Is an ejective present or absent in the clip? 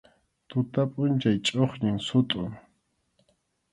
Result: present